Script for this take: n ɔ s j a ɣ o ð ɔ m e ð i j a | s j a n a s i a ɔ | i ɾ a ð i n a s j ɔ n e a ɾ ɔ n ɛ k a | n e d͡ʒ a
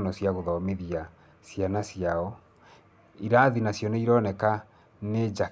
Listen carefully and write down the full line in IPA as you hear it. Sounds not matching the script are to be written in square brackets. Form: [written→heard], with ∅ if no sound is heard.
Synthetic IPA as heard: n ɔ s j a ɣ o ð ɔ m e ð i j a | s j a n a s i a ɔ | i ɾ a ð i n a s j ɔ n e [a→i] ɾ ɔ n ɛ k a | n e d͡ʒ a